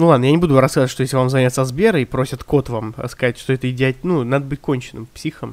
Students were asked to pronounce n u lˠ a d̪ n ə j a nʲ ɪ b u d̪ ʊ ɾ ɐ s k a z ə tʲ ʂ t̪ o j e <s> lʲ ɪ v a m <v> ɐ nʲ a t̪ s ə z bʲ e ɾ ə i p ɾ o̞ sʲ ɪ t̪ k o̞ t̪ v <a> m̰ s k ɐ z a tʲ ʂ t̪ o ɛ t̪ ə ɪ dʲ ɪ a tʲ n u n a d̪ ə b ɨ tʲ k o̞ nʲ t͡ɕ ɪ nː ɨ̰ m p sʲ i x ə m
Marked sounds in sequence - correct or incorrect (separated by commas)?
correct, incorrect, correct